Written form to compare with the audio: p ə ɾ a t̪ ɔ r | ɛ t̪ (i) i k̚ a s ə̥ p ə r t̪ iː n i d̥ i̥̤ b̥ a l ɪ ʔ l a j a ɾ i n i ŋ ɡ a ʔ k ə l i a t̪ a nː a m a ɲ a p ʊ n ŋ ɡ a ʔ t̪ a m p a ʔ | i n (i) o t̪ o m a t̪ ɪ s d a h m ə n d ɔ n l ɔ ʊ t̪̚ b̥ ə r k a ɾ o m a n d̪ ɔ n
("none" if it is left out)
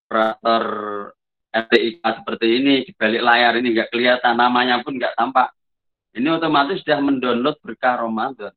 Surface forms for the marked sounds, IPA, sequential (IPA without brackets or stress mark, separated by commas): e, i